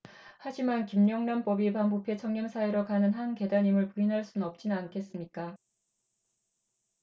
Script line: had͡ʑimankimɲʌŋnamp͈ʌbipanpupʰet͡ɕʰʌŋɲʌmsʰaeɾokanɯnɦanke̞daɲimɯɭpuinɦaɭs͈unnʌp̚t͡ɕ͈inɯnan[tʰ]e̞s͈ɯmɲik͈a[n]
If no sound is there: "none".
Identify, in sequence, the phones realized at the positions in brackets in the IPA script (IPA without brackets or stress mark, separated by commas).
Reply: kʰ, none